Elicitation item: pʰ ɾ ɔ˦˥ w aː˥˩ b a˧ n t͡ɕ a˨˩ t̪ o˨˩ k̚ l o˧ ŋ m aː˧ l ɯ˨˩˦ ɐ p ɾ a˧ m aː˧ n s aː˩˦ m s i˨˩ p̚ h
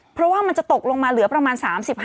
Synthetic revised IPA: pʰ ɾ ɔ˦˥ w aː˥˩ m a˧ n t͡ɕ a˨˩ t̪ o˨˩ k̚ l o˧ ŋ m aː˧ l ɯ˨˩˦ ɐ p ɾ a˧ m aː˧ n s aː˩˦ m s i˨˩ p̚ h